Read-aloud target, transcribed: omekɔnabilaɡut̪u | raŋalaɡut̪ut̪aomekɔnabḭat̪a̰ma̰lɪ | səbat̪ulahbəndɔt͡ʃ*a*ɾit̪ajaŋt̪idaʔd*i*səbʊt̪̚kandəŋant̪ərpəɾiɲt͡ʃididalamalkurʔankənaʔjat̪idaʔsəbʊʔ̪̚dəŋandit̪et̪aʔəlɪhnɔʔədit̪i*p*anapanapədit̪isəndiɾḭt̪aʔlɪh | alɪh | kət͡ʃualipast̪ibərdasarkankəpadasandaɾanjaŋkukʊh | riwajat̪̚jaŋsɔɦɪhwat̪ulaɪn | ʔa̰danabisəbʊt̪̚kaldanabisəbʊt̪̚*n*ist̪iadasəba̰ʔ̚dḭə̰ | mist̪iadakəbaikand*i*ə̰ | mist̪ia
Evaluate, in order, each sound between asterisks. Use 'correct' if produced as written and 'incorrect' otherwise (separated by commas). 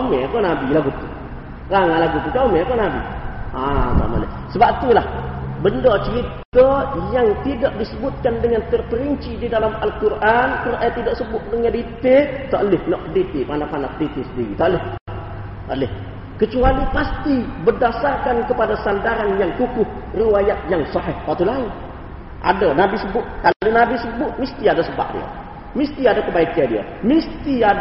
incorrect, correct, correct, incorrect, correct